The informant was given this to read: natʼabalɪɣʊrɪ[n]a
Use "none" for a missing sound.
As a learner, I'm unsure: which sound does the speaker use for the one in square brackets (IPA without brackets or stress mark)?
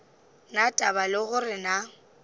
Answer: n